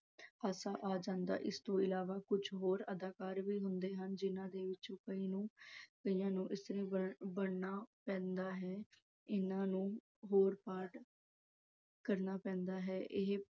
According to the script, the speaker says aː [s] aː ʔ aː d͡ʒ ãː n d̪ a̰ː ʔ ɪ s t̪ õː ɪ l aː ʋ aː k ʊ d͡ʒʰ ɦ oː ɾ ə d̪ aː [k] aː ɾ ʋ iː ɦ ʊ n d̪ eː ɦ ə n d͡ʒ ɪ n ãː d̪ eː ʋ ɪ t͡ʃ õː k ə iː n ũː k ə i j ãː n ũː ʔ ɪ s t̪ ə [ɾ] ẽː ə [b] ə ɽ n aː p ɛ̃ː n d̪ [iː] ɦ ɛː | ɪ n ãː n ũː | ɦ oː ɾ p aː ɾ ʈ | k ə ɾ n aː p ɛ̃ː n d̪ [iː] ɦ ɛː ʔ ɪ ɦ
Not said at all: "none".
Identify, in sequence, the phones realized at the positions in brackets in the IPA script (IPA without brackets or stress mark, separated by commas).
s, k, ɾ, b, aː, aː